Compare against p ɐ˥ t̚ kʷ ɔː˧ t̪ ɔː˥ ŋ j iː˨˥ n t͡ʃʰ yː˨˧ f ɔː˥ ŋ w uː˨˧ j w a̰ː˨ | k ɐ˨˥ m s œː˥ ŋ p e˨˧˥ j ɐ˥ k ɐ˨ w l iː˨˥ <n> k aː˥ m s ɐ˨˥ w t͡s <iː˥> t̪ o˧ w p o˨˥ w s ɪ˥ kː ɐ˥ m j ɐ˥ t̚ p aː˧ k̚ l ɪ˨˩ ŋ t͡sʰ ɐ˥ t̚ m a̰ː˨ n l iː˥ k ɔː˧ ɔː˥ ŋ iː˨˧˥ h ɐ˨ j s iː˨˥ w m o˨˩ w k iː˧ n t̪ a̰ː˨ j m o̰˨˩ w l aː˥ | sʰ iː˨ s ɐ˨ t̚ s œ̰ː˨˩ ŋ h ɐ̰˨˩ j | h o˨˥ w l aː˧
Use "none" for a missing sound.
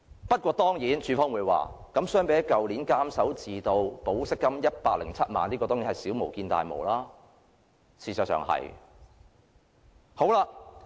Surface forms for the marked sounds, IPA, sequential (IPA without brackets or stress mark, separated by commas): n, iː˨